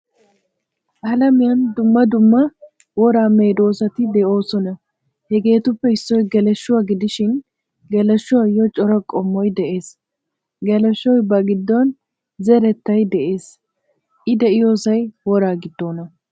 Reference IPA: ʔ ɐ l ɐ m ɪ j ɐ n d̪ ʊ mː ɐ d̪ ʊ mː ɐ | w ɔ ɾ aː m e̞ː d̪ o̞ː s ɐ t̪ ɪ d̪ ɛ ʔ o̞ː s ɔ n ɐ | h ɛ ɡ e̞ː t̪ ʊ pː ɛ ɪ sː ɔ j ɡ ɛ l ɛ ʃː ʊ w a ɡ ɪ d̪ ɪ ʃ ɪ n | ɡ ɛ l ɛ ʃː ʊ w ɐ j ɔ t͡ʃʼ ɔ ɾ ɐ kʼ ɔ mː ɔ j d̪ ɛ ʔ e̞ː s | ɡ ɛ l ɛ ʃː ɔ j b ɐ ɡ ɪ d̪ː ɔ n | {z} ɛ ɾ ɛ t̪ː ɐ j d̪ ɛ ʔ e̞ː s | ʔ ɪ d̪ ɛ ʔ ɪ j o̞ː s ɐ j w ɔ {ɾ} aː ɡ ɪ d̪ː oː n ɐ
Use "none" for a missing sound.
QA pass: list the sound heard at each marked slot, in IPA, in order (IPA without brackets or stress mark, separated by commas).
z, ɾ